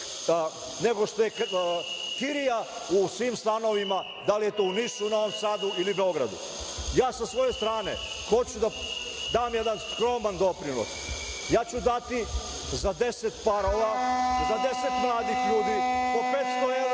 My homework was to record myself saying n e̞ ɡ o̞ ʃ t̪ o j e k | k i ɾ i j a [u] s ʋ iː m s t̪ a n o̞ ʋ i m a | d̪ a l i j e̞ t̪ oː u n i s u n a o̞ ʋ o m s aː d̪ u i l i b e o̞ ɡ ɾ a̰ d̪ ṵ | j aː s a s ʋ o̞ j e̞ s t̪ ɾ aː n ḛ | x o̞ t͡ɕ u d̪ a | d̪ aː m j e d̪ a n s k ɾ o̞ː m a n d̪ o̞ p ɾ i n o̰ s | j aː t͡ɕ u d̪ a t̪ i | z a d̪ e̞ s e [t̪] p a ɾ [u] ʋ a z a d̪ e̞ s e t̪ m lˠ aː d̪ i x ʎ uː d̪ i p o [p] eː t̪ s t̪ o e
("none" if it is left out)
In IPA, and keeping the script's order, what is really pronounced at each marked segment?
u, t̪, o, p

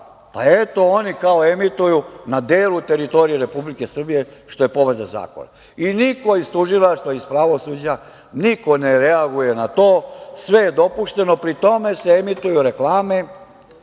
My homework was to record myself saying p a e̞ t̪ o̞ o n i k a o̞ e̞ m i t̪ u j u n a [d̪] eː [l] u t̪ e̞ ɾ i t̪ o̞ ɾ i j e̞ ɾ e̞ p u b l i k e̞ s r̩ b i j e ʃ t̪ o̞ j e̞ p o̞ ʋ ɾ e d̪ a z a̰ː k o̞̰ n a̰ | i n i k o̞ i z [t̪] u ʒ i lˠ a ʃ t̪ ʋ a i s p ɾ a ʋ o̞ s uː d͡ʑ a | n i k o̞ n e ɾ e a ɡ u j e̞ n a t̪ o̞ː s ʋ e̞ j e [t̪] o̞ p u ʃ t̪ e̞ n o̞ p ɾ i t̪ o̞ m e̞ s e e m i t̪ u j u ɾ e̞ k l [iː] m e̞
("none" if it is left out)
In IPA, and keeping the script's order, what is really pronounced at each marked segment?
d̪, l, t̪, d̪, aː

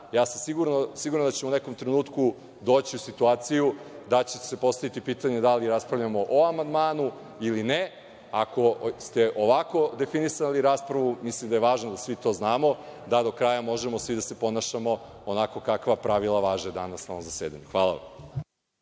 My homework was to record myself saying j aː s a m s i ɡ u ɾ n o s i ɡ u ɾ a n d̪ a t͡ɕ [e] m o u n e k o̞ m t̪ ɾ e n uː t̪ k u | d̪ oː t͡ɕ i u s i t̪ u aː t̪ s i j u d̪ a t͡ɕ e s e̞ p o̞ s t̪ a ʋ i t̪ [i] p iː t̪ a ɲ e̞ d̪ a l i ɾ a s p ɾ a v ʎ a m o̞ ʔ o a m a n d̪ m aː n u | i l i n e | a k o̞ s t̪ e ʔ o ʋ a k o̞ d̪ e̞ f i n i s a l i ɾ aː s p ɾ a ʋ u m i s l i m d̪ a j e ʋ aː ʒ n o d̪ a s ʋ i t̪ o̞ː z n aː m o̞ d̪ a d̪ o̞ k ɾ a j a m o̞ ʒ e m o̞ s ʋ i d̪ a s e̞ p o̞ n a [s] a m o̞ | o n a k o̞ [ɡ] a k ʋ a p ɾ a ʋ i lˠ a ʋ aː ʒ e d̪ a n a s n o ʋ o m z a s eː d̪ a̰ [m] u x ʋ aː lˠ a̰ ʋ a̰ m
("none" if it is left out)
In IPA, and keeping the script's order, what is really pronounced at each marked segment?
e, i, ʃ, k, ɲ

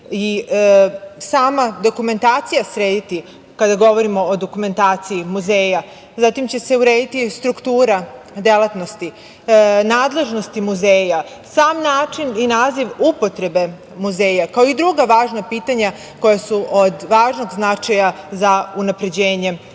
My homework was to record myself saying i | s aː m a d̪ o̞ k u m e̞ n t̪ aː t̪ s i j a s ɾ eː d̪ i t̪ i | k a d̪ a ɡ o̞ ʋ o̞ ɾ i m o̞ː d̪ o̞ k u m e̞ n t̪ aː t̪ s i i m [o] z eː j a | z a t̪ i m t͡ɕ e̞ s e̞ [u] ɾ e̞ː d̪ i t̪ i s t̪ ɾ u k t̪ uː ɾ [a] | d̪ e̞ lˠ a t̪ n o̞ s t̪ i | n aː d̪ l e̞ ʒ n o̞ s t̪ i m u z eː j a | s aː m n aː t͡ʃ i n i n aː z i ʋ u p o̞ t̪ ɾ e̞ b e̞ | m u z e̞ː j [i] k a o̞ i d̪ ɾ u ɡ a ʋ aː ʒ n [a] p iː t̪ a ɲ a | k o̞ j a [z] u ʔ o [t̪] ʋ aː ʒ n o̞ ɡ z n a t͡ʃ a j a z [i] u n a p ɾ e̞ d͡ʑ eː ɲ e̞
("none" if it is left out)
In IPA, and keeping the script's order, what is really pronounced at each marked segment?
u, u, a, a, a, s, d̪, a

